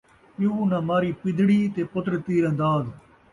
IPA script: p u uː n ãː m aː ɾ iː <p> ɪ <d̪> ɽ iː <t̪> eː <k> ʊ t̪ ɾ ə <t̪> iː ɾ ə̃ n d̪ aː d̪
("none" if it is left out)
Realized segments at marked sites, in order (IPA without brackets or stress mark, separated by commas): p, d̪, t̪, p, t̪